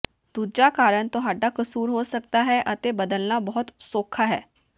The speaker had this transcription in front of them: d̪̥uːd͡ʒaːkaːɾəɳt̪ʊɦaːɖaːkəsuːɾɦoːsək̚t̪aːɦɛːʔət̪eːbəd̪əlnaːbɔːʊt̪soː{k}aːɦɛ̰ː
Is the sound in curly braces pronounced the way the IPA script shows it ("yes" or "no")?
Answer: no